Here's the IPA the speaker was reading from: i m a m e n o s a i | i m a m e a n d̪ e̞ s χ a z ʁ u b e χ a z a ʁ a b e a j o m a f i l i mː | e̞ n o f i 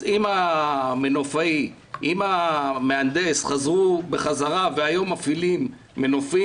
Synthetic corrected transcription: i m a m e n o f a i | i m a m e a n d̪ e̞ s χ a z ʁ u b e χ a z a ʁ a v e a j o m a f i l i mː | e̞ n o f i